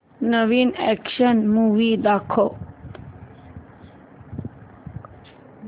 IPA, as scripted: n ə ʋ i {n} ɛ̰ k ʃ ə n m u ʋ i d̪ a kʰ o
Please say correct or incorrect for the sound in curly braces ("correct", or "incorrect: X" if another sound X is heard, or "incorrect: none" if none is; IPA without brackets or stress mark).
correct